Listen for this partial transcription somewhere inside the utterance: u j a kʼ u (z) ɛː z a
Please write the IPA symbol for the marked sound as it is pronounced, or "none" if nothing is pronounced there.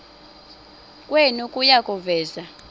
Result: v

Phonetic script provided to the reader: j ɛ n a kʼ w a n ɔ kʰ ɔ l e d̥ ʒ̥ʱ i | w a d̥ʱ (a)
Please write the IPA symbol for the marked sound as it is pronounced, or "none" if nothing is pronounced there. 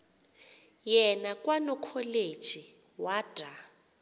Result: a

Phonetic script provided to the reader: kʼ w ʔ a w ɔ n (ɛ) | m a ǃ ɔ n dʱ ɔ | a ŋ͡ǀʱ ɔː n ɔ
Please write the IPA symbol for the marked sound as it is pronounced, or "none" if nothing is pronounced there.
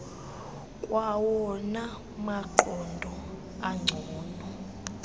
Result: a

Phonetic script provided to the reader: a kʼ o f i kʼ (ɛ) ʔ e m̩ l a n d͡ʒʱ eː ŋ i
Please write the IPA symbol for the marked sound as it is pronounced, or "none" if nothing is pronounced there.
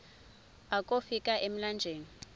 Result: a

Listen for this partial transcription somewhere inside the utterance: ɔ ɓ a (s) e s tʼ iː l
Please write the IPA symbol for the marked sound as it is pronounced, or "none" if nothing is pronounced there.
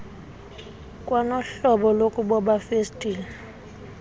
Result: f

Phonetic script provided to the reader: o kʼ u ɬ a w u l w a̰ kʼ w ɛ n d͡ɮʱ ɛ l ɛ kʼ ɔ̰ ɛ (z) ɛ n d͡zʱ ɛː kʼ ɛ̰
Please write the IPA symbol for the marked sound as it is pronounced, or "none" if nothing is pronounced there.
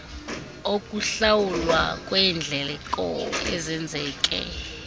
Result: z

